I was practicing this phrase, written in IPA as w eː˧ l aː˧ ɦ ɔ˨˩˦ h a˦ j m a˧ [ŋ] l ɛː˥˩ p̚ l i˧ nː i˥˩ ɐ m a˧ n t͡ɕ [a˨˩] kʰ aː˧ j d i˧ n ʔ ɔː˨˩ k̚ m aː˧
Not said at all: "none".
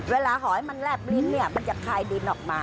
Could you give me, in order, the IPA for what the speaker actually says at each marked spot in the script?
n, a˨˩

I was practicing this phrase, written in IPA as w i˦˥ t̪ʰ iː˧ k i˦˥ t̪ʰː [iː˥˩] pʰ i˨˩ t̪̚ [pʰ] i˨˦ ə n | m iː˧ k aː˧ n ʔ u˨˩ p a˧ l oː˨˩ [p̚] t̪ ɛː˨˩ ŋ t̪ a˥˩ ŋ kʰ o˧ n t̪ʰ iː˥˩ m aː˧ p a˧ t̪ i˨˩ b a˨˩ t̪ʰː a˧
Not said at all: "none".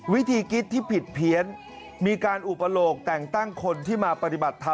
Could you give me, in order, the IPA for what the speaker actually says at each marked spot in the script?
iː˥˩, pʰ, k̚

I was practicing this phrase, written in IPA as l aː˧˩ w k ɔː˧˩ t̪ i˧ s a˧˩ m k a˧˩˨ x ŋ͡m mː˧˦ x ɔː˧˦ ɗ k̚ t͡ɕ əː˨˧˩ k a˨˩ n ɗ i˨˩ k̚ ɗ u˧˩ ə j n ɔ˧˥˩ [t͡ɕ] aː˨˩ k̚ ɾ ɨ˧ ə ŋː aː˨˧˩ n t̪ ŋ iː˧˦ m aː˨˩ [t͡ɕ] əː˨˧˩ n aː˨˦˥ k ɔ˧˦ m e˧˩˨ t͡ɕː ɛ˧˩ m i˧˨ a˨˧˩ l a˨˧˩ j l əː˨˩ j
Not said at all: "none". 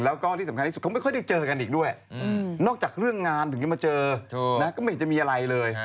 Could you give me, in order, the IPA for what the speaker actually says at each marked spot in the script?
t͡ɕ, t͡ɕ

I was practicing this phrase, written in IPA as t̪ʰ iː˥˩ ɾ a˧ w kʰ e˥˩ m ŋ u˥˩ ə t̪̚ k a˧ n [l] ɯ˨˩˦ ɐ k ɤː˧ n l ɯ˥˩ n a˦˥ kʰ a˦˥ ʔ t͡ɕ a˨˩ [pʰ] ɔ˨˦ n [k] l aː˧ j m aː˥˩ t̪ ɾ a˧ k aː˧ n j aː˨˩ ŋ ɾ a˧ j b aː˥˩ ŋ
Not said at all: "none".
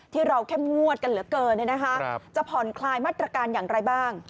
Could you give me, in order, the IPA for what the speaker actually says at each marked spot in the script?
l, pʰ, kʰ

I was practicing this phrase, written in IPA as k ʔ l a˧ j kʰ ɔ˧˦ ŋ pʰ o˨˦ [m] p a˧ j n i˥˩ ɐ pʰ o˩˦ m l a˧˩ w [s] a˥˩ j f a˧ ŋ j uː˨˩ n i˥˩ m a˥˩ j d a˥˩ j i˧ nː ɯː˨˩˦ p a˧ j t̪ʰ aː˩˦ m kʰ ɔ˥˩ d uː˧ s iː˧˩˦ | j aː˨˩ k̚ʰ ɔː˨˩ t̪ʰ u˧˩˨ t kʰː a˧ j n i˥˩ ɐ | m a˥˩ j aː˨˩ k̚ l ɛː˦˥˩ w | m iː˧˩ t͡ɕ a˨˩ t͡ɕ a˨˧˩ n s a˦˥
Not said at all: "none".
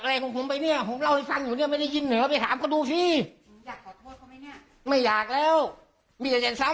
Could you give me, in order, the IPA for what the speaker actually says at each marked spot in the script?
m, h

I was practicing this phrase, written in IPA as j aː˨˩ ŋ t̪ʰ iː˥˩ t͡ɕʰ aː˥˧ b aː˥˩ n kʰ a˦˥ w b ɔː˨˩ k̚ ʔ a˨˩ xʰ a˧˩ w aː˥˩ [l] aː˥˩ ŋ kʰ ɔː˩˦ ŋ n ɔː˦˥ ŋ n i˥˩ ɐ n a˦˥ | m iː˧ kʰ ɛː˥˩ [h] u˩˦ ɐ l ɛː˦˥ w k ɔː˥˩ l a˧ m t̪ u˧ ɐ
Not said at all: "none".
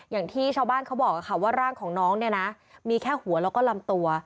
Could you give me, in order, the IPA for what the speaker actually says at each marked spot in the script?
ɾ, h

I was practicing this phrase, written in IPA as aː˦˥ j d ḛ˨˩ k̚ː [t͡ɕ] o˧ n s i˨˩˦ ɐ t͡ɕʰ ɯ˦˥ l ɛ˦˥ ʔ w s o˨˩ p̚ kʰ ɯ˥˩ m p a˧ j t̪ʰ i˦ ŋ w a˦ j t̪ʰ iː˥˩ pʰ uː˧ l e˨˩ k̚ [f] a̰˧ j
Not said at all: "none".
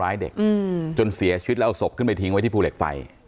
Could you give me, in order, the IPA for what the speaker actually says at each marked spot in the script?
t͡ɕ, f

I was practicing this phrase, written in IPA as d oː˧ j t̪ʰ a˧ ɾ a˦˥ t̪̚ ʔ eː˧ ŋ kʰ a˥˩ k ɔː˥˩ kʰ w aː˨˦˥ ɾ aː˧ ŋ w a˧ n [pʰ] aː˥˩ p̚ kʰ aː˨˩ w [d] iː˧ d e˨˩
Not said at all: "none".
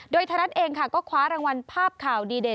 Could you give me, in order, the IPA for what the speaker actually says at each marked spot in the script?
pʰ, d

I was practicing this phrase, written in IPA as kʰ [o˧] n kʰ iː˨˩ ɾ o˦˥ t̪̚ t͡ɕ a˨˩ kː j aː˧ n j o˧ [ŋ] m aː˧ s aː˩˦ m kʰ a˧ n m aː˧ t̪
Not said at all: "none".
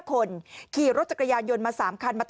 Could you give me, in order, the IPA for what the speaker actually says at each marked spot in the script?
o˧, n

